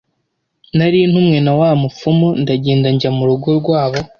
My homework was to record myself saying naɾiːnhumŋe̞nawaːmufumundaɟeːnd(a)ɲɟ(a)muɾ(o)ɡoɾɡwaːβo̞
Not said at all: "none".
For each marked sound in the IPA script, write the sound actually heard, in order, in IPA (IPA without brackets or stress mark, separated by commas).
a, a, u